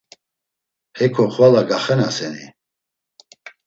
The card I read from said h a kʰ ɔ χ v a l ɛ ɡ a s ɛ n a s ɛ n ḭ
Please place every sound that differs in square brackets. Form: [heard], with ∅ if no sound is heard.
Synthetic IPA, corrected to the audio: h [ɛ] kʰ ɔ χ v a l [a] ɡ a [χ] ɛ n a s ɛ n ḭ